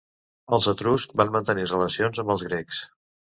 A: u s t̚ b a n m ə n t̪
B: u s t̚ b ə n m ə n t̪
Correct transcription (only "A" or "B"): A